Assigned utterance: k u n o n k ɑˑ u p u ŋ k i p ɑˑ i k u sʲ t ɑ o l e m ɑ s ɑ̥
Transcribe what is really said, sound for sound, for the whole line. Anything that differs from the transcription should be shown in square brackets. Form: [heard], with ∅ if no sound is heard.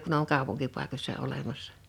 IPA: k u n o [ŋ] k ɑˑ u p u ŋ k i p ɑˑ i k [o] sʲ [s] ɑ o l e m ɑ [sː] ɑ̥